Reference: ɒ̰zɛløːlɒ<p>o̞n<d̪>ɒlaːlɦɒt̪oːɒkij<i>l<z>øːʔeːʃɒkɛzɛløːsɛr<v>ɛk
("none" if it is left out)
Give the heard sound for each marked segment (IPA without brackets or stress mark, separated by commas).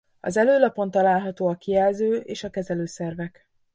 p, t̪, ɛ, z, v